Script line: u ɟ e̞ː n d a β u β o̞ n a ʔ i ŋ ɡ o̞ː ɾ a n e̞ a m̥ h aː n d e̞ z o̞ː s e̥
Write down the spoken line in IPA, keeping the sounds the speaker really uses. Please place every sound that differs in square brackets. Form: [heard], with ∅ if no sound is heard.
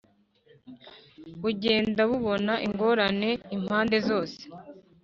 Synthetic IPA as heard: u ɟ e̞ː n d a β u β o̞ n a ʔ i ŋ ɡ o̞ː ɾ a n e̞ [i] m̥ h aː n d e̞ z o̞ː s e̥

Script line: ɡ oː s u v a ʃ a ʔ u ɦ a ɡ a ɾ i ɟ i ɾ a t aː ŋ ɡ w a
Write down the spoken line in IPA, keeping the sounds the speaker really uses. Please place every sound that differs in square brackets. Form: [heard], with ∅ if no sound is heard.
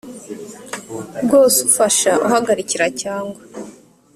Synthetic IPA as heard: ɡ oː s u [f] a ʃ a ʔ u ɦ a ɡ a ɾ i [c] i ɾ a [c] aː ŋ ɡ w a

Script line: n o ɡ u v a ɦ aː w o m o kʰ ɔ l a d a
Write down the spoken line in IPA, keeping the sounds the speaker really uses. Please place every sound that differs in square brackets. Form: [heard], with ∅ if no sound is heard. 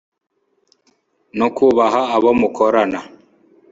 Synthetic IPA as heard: n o [k] u [β] a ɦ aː [β] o m [u] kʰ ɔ [ɾ] a [n] a

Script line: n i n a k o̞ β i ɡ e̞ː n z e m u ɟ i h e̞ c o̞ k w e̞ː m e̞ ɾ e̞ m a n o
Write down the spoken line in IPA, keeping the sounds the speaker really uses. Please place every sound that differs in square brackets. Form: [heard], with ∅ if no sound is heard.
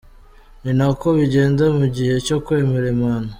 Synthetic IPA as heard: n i n a k o̞ β i [ɟ] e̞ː n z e m u ɟ i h e̞ c o̞ k w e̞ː m e̞ ɾ e̞ m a n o

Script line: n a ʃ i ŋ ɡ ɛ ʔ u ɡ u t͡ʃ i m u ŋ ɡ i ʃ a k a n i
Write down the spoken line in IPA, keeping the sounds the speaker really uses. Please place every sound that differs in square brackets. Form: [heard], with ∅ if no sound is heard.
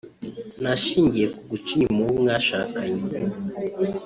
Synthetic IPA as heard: n a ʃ i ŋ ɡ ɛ [k] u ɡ u t͡ʃ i m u ŋ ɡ [a] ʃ a k a [ɲ] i

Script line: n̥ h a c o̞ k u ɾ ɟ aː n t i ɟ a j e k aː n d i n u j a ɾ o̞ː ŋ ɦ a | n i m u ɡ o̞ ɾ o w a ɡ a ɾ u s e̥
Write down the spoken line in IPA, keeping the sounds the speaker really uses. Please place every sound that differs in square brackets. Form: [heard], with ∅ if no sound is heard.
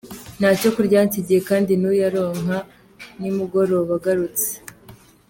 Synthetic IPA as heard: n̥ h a c o̞ k u ɾ ɟ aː n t i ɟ [i] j e k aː n d i n u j a ɾ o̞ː ŋ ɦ a | n i m u ɡ o̞ ɾ o [β] a ɡ a ɾ u [t͡s] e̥

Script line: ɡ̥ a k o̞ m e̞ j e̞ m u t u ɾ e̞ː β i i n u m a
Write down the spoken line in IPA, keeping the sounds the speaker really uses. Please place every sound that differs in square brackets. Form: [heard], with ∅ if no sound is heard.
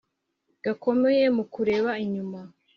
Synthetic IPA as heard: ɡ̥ a k o̞ m e̞ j e̞ m u [k] u ɾ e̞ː β [a] i [ɲ] u m a

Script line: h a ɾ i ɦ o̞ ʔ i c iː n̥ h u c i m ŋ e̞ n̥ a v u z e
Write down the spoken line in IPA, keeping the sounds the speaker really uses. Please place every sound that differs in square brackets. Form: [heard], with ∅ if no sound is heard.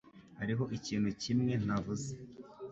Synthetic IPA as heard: h a ɾ i ɦ o̞ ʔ i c iː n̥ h u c i m ŋ e̞ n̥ a v u z e

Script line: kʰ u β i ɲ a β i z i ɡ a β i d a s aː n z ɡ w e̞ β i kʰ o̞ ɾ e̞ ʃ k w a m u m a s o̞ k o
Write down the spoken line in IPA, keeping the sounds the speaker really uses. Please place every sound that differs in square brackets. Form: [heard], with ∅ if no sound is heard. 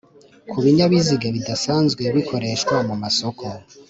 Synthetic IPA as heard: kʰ u β i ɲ a β i z i ɡ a β i d a s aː n z ɡ w e̞ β i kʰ o̞ ɾ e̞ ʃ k w a m u m a s o̞ k o

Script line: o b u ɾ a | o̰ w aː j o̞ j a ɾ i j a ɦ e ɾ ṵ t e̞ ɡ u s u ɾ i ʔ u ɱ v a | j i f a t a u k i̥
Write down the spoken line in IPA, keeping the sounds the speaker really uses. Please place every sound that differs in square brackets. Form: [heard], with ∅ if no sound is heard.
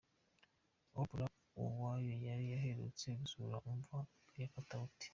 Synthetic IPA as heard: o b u ɾ a | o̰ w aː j o̞ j a ɾ i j a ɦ e ɾ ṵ [t͡s] e̞ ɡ u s u ɾ [a] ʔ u ɱ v a | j [a] f a t a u [t] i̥

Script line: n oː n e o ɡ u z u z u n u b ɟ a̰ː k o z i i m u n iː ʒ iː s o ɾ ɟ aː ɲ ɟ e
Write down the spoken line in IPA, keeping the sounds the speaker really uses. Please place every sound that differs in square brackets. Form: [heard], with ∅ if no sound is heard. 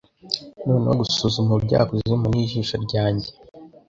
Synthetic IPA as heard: n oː n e o ɡ u [s] u z u [m] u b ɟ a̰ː k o z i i m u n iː ʒ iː [ʃ] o ɾ ɟ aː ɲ ɟ e

